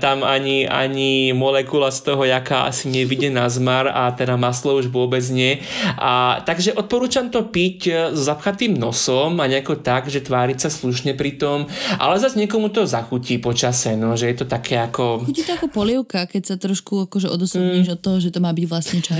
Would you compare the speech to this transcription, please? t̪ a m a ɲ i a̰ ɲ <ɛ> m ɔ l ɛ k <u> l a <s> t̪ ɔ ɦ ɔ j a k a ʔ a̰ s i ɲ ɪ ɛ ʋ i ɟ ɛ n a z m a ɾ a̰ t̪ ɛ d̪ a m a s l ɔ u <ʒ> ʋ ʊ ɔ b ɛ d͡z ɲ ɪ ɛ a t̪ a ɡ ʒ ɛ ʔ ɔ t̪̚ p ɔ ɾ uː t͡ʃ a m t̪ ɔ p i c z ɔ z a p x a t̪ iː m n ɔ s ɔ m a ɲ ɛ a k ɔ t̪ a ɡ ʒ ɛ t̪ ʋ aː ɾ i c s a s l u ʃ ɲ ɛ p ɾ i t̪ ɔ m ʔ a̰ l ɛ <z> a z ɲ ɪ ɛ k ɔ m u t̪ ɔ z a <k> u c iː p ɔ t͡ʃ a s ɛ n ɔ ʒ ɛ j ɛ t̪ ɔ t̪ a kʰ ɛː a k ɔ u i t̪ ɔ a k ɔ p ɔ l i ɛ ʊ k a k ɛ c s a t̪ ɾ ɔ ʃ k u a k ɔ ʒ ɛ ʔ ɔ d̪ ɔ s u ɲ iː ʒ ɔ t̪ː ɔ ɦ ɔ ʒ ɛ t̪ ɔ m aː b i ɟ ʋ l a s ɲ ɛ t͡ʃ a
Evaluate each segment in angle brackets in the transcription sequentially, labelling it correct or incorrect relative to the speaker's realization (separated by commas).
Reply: incorrect, correct, correct, correct, correct, incorrect